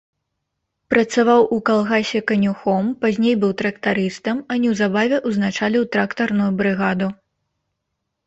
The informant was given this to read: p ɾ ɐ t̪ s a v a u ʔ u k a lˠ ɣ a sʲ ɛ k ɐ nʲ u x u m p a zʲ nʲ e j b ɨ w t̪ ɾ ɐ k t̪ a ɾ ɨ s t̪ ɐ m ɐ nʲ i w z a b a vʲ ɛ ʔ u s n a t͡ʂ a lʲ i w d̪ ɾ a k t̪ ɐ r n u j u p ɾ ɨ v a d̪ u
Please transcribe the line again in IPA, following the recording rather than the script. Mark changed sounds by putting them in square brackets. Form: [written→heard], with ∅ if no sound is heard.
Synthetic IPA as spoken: p ɾ ɐ t̪ s a v a [u→w] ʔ u k a lˠ ɣ a sʲ ɛ k ɐ nʲ u x [u→ɔ] m p a zʲ nʲ e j b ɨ w t̪ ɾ ɐ k t̪ a ɾ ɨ s t̪ ɐ m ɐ nʲ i w z a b a vʲ ɛ ʔ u [s→z] n a t͡ʂ a lʲ i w [d̪→t̪] ɾ a k t̪ ɐ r n u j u [p→b] ɾ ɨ [v→ɣ] a d̪ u